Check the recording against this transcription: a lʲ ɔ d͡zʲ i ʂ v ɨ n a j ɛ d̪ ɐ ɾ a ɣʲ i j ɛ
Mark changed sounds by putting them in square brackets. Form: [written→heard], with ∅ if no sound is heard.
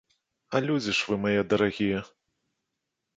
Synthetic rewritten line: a lʲ [ɔ→u] d͡zʲ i ʂ v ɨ [n→m] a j ɛ d̪ ɐ ɾ a ɣʲ i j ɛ